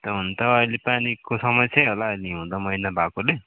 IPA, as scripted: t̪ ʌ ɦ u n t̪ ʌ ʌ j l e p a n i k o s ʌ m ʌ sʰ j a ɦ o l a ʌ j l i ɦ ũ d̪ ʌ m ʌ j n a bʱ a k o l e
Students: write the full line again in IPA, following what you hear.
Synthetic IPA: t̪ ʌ ɦ u n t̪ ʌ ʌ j l e p a n i k o s ʌ m ʌ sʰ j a ɦ o l a ʌ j l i ɦ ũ d̪ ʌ m ʌ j n a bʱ a k o l e